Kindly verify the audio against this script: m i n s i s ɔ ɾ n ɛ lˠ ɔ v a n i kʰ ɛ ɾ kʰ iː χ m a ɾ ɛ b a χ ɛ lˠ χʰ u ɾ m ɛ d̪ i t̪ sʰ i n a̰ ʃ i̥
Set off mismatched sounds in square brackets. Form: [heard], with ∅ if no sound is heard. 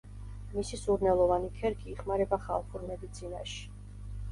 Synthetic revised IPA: m i [∅] s i s [u] ɾ n ɛ lˠ ɔ v a n i kʰ ɛ ɾ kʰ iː χ m a ɾ ɛ b a χ [a] lˠ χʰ u ɾ m ɛ d̪ i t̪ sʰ i n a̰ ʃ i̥

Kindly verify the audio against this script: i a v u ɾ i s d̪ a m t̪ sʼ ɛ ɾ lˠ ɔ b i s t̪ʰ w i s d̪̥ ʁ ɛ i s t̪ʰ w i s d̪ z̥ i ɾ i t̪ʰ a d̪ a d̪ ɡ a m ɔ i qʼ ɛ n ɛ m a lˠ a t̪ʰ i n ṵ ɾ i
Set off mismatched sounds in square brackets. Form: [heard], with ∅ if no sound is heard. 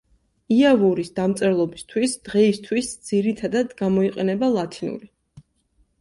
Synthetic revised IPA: i a v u ɾ i s d̪ a m t̪ sʼ ɛ ɾ lˠ ɔ b i s t̪ʰ w i s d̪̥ ʁ ɛ i s t̪ʰ w i s d̪ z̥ i ɾ i t̪ʰ a d̪ a d̪ ɡ a m ɔ i qʼ ɛ n ɛ [b] a lˠ a t̪ʰ i n ṵ ɾ i

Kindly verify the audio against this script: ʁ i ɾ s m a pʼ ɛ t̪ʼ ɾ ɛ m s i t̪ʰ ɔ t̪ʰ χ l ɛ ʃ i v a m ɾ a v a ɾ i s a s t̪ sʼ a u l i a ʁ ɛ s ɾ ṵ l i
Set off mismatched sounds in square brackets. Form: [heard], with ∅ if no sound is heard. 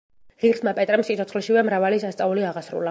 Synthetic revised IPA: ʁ i ɾ s m a pʼ ɛ t̪ʼ ɾ ɛ m s i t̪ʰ ɔ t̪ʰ χ l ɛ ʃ i v [ɛ] m ɾ a v a [l] i s a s t̪ sʼ a u l i a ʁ [a] s ɾ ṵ l [a]

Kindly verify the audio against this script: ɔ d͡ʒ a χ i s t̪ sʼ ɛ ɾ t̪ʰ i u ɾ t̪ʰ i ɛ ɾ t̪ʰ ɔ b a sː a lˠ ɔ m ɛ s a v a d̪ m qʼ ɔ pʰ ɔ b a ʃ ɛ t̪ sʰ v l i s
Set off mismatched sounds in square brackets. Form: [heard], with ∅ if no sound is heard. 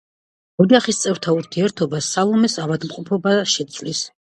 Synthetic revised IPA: ɔ d͡ʒ a χ i s t̪ sʼ ɛ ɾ t̪ʰ [a] u ɾ t̪ʰ i ɛ ɾ t̪ʰ ɔ b a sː a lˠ ɔ m ɛ s a v a d̪ m qʼ ɔ pʰ ɔ b a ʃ ɛ t̪ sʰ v l i s

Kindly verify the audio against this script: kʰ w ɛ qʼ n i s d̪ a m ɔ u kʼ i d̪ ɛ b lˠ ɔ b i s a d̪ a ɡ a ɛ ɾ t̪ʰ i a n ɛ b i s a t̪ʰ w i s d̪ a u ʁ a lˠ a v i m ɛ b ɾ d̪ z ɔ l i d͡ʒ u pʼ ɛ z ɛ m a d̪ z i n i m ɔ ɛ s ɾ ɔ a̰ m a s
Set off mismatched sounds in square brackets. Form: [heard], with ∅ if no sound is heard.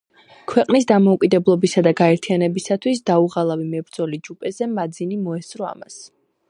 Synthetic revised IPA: kʰ w ɛ qʼ n i s d̪ a m ɔ u kʼ i d̪ ɛ b lˠ ɔ b i s a d̪ a ɡ a ɛ ɾ t̪ʰ i a n ɛ b i s a t̪ʰ w i s d̪ a u ʁ a lˠ a v i m ɛ b ɾ d̪ z ɔ l i d͡ʒ u pʼ ɛ z ɛ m a d̪ z i n i m ɔ ɛ s ɾ ɔ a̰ m a s

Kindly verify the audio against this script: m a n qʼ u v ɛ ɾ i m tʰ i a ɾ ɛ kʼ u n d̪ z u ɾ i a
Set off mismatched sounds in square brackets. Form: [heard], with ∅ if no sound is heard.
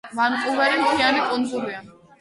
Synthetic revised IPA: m a n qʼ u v ɛ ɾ i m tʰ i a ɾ [i] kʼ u n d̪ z u ɾ i a

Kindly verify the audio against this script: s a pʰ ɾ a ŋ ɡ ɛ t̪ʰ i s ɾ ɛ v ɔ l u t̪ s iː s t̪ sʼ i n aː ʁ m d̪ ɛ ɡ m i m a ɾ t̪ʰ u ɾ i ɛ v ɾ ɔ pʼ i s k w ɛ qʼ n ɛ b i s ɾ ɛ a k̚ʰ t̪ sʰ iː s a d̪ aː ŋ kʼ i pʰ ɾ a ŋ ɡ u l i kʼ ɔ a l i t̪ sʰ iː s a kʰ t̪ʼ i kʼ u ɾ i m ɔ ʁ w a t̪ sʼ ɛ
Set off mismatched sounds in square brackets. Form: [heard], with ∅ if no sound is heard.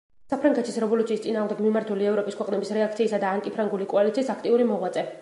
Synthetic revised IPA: s a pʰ ɾ a ŋ ɡ ɛ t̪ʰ i s ɾ ɛ v ɔ l u t̪ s iː s t̪ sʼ i n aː ʁ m d̪ ɛ ɡ m i m a ɾ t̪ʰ u [l] i ɛ v ɾ ɔ pʼ i s k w ɛ qʼ n ɛ b i s ɾ ɛ a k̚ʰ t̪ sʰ iː s a d̪ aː ŋ kʼ i pʰ ɾ a ŋ ɡ u l i kʼ ɔ a l i t̪ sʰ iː s a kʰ t̪ʼ i [∅] u ɾ i m ɔ ʁ w a t̪ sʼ ɛ

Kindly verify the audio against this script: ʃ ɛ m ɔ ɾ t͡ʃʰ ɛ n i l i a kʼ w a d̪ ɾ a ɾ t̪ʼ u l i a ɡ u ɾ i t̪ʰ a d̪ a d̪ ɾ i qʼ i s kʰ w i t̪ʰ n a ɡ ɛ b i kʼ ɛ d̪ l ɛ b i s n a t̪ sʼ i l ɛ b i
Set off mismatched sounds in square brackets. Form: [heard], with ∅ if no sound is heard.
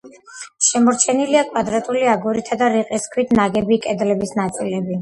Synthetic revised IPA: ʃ ɛ m ɔ ɾ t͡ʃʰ ɛ n i l i a kʼ w a d̪ ɾ a [∅] t̪ʼ u l i a ɡ u ɾ i t̪ʰ a d̪ a [∅] ɾ i qʼ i s kʰ w i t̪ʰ n a ɡ ɛ b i kʼ ɛ d̪ l ɛ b i s n a t̪ sʼ i l ɛ b i

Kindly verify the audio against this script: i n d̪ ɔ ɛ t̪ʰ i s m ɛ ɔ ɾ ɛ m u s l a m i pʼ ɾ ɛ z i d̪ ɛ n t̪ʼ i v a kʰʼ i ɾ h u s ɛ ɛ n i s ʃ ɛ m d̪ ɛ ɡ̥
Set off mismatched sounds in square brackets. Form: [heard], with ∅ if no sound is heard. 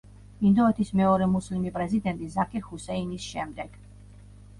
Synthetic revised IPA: i n d̪ ɔ ɛ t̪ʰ i s m ɛ ɔ ɾ ɛ m u s l [i] m i pʼ ɾ ɛ z i d̪ ɛ n t̪ʼ i [z] a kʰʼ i ɾ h u s ɛ [i] n i s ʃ ɛ m d̪ ɛ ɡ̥

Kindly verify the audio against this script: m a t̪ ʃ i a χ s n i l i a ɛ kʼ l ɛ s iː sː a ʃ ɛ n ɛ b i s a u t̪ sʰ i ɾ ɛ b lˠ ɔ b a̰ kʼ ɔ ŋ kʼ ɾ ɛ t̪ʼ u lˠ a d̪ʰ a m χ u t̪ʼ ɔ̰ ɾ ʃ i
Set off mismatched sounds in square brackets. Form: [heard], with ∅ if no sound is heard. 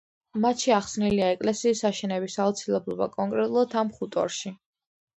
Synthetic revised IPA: m a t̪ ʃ i a χ s n i l i a ɛ kʼ l ɛ s iː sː a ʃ ɛ n ɛ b i s a u t̪ sʰ i [l] ɛ b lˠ ɔ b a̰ kʼ ɔ ŋ kʼ ɾ ɛ t̪ʼ u lˠ a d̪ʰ a m χ u t̪ʼ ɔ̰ ɾ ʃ i

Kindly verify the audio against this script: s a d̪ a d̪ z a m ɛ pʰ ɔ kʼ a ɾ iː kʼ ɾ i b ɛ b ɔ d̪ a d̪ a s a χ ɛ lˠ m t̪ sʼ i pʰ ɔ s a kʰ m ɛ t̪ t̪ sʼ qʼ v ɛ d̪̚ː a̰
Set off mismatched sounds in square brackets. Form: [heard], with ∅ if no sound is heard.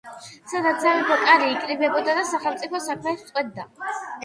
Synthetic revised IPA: s a d̪ a [t̪] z a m ɛ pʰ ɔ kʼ a ɾ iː kʼ ɾ i b ɛ b ɔ d̪ a d̪ a s a χ ɛ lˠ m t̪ sʼ i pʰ ɔ s a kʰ m ɛ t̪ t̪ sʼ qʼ [w] ɛ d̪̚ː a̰

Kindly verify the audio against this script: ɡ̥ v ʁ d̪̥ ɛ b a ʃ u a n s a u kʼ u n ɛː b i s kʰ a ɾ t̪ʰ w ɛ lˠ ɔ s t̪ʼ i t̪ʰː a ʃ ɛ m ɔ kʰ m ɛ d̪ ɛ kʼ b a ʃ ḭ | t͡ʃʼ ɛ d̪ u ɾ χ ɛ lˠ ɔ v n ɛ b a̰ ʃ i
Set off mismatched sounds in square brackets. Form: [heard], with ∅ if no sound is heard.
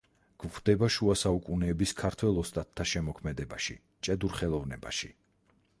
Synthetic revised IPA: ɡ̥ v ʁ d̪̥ ɛ b a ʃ u a [∅] s a u kʼ u n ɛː b i s kʰ a ɾ t̪ʰ w ɛ lˠ ɔ s t̪ʼ [a] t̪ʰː a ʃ ɛ m ɔ kʰ m ɛ d̪ ɛ [∅] b a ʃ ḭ | t͡ʃʼ ɛ d̪ u ɾ χ ɛ lˠ ɔ v n ɛ b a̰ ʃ i

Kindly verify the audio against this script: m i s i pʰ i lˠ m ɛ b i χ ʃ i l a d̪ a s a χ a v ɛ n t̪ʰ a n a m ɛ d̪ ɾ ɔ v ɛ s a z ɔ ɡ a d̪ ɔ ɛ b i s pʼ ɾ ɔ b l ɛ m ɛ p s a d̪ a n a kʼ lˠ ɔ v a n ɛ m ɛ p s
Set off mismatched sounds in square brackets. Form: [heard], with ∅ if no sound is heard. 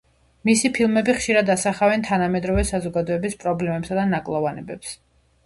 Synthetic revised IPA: m i s i pʰ i lˠ m ɛ b i χ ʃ i [ɾ] a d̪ a s a χ a v ɛ n t̪ʰ a n a m ɛ d̪ ɾ ɔ v ɛ s a z ɔ ɡ a d̪ ɔ ɛ b i s pʼ ɾ ɔ b l ɛ m ɛ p s a d̪ a n a kʼ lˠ ɔ v a n ɛ [b] ɛ p s

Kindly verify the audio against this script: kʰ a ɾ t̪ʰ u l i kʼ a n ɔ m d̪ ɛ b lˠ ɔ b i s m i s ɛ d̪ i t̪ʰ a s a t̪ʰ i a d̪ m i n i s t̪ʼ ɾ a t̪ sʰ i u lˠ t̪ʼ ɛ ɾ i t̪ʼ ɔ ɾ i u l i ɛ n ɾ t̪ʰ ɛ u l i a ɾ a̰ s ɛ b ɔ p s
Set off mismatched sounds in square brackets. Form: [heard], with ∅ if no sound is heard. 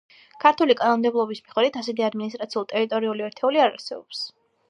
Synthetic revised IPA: kʰ a ɾ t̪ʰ u l i kʼ a n ɔ m d̪ ɛ b lˠ ɔ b i s m i [χ] ɛ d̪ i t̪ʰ a s [ɛ] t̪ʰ i a d̪ m i n i s t̪ʼ ɾ a t̪ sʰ i u lˠ t̪ʼ ɛ ɾ i t̪ʼ ɔ ɾ i u l i ɛ [∅] ɾ t̪ʰ ɛ u l i a ɾ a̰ s ɛ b ɔ p s

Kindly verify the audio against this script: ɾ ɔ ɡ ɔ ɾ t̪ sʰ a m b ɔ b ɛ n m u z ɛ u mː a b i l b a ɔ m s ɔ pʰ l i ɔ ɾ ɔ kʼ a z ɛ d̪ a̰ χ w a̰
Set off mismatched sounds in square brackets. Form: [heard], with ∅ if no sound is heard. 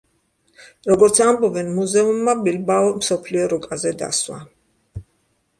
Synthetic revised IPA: ɾ ɔ ɡ ɔ ɾ t̪ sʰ a m b ɔ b ɛ n m u z ɛ u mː a b i l b a ɔ m s ɔ pʰ l i ɔ ɾ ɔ kʼ a z ɛ d̪ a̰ [s] w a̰

